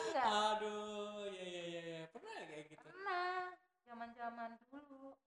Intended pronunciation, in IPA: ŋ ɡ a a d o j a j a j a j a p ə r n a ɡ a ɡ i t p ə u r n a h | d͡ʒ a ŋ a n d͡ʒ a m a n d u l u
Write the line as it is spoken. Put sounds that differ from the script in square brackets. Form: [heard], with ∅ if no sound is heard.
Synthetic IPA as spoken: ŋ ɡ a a d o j a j a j a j a p ə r n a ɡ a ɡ i t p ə u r n a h | d͡ʒ a [m] a n d͡ʒ a m a n d u l u